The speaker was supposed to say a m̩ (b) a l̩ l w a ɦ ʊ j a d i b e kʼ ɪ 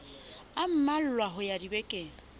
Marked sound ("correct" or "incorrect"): incorrect